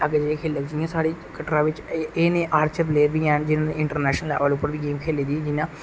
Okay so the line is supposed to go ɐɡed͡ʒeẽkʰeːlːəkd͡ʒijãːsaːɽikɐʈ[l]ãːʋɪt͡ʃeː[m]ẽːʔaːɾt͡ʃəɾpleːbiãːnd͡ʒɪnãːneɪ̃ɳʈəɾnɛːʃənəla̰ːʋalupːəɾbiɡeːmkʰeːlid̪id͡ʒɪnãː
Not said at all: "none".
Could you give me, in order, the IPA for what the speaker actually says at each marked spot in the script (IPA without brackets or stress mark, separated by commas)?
ɾ, n